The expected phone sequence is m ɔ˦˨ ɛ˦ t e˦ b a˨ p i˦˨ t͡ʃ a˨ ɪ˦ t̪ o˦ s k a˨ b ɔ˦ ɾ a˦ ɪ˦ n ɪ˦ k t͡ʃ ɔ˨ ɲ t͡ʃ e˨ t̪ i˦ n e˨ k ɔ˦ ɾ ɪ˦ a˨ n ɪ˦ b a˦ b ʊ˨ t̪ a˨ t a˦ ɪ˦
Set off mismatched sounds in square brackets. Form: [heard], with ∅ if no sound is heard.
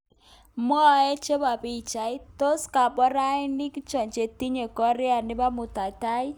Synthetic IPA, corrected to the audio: m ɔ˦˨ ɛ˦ [t͡ʃ] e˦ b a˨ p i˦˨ t͡ʃ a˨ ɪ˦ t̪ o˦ s k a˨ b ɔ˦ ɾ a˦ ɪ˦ n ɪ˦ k t͡ʃ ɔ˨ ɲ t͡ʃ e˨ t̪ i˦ [ɲ] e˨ k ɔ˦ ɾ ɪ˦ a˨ n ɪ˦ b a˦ [m] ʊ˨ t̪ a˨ t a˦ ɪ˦